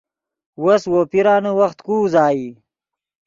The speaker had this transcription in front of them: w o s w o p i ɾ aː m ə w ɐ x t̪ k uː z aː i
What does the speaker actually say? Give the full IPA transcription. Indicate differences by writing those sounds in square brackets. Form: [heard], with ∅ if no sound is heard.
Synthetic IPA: w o s w o p i ɾ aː [n] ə w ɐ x t̪ k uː z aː i